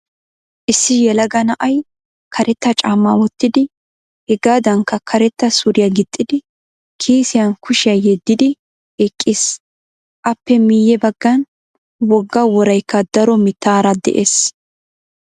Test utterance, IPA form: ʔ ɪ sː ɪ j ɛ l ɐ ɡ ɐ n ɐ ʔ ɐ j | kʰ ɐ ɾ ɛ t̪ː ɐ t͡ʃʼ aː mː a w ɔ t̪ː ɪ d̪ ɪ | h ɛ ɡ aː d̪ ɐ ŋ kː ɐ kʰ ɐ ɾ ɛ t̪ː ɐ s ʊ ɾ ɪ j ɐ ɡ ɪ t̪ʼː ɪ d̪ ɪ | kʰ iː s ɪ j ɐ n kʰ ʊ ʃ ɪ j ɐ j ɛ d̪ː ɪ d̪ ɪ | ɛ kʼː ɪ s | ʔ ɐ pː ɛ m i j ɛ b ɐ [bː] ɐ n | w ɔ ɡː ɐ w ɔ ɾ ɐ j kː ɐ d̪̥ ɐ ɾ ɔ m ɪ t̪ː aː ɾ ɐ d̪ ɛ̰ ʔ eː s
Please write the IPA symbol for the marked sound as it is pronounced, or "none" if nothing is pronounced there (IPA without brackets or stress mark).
ɡː